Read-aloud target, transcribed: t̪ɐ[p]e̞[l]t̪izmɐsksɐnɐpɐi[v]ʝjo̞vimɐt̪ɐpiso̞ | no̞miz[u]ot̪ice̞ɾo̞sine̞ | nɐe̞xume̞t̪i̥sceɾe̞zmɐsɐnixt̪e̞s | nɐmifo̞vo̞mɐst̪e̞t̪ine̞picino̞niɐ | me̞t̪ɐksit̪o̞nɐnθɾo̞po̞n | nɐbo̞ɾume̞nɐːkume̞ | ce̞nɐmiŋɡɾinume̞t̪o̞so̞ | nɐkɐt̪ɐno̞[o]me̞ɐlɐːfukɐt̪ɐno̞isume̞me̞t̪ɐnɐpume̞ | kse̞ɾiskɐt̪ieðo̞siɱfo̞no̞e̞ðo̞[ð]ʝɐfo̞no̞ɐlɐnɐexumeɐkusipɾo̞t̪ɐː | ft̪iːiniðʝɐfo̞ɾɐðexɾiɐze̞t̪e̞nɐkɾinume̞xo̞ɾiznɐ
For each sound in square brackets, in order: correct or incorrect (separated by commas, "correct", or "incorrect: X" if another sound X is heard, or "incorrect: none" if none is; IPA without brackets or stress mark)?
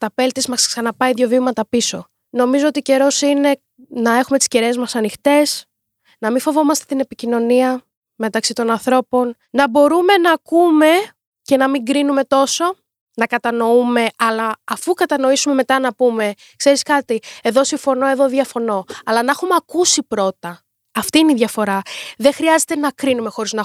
correct, correct, incorrect: ð, incorrect: o, incorrect: u, correct